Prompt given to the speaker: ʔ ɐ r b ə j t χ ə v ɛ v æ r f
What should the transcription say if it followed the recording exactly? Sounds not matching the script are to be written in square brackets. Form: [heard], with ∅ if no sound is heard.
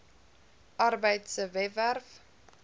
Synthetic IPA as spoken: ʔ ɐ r b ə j t [s] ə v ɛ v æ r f